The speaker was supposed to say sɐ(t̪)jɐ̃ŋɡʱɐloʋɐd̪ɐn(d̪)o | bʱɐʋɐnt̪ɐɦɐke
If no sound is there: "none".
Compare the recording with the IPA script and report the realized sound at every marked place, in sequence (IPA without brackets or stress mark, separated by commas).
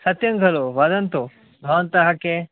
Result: t̪, t̪